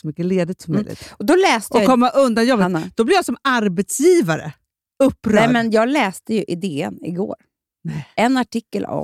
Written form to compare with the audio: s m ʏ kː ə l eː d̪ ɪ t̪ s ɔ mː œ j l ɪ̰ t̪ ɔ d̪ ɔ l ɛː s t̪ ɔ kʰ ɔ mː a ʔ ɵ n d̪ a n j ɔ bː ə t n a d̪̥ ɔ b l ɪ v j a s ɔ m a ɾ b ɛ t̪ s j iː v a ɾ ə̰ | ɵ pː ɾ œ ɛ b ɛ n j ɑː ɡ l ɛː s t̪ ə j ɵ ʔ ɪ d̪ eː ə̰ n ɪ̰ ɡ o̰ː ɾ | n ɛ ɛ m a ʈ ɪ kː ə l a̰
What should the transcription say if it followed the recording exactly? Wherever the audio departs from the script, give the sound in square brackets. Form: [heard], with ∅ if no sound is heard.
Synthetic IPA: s m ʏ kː ə l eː d̪ ɪ t̪ s ɔ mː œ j l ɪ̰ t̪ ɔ d̪ ɔ l ɛː s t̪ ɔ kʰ ɔ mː a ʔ ɵ n d̪ a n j ɔ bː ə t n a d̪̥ ɔ b l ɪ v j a s ɔ m a ɾ b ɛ t̪ s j iː v a ɾ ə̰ | ɵ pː ɾ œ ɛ [m] ɛ n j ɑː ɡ l ɛː s t̪ ə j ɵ ʔ ɪ d̪ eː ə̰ n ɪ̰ ɡ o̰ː ɾ | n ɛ ɛ [n] a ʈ ɪ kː ə l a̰